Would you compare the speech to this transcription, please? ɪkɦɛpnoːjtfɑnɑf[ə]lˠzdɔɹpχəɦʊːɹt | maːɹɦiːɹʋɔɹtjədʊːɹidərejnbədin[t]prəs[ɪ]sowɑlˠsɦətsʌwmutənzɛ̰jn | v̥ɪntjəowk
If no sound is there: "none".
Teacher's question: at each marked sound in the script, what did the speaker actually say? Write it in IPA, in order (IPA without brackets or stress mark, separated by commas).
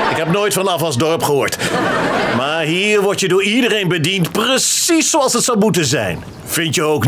ɑ, t, i